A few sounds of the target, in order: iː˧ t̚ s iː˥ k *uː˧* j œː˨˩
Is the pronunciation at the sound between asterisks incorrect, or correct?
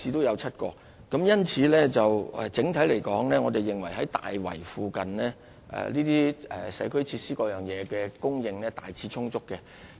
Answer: incorrect